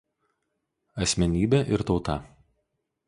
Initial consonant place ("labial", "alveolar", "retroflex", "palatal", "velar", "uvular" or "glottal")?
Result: alveolar